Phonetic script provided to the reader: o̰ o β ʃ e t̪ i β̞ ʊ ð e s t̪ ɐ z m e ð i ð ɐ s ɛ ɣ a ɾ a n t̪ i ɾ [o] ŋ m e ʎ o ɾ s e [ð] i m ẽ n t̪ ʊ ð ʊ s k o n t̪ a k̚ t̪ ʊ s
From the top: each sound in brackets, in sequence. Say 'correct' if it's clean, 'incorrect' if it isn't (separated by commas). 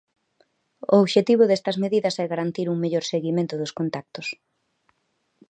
incorrect, incorrect